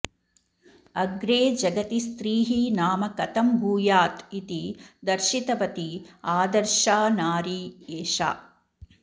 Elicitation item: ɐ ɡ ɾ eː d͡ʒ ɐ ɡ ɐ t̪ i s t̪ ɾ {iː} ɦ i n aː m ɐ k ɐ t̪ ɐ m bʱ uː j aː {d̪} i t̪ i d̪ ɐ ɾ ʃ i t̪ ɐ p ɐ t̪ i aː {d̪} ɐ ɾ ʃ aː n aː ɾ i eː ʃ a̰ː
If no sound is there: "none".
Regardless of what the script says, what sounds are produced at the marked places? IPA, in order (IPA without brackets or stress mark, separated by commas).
iː, t̪, d̪